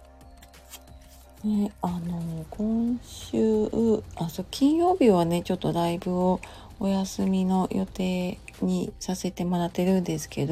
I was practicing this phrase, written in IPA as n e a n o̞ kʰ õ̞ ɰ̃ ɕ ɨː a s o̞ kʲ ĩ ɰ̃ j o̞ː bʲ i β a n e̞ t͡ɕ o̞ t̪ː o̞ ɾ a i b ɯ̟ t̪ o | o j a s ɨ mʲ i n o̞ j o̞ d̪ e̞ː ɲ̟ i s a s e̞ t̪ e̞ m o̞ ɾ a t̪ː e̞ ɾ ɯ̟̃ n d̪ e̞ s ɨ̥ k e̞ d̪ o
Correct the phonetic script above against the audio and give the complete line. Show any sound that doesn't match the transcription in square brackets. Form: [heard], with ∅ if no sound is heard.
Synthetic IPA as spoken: n e a n o̞ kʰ õ̞ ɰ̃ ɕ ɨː a s o̞ kʲ ĩ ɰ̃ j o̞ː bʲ i β a n e̞ t͡ɕ o̞ t̪ː o̞ ɾ a i b ɯ̟ [∅] o | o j a s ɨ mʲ i n o̞ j o̞ [t̪] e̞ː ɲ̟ i s a s e̞ t̪ e̞ m o̞ ɾ a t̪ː e̞ ɾ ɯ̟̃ n d̪ e̞ s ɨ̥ k e̞ d̪ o